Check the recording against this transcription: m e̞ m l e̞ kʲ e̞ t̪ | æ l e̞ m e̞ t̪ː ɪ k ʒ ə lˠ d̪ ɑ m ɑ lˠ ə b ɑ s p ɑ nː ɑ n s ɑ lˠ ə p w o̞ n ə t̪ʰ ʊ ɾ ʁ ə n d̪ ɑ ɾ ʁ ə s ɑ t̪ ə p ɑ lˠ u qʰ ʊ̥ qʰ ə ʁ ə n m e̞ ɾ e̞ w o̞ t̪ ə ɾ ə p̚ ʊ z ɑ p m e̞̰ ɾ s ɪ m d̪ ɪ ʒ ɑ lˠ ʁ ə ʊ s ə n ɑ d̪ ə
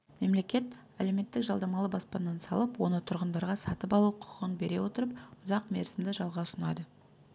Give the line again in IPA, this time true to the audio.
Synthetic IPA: m e̞ m l e̞ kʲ e̞ t̪ | æ l e̞ m e̞ t̪ː ɪ k ʒ ɑ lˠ d̪ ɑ m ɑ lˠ ə b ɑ s p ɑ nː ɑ n s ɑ lˠ ə p w o̞ n ə t̪ʰ ʊ ɾ ʁ ə n d̪ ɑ ɾ ʁ ɑ s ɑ t̪ ə p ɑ lˠ u qʰ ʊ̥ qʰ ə ʁ ə n b e̞ ɾ e̞ w o̞ t̪ ə ɾ ə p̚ ʊ z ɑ q m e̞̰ ɾ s ɪ m d̪ ɪ ʒ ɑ lˠ ʁ ɑ ʊ s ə n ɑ d̪ ə